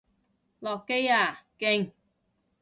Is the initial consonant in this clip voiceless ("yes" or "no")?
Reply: no